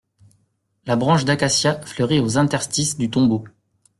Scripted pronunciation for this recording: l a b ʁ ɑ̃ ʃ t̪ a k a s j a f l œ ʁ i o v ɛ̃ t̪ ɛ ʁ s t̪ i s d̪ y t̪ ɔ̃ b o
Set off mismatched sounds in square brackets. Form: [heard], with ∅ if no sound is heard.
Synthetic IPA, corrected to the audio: l a b ʁ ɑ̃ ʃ [d̪] a k a s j a f l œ ʁ i o [z] ɛ̃ t̪ ɛ ʁ s t̪ i s d̪ y t̪ ɔ̃ b o